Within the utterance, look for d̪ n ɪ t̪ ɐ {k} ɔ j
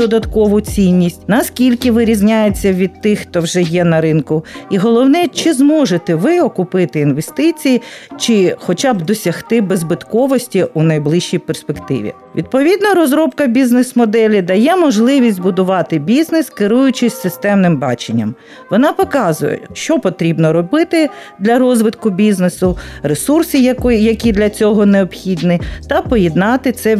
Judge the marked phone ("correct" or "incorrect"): incorrect